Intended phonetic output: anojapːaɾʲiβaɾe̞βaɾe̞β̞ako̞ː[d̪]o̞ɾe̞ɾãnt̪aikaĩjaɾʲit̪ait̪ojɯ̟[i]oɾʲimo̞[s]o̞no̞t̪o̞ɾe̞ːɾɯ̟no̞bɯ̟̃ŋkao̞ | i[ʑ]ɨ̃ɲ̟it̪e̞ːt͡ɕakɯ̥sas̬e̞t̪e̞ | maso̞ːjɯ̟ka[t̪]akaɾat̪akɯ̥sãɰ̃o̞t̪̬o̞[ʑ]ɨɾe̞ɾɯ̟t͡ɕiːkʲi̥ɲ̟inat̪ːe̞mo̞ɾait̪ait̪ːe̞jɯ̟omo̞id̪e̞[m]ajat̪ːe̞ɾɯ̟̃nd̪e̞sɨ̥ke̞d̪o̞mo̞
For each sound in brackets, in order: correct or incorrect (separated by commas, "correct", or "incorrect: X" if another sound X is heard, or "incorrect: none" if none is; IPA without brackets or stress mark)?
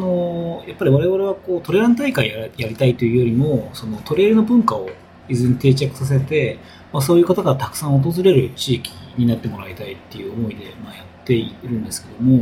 incorrect: t̪, incorrect: j, correct, incorrect: z, correct, incorrect: z, correct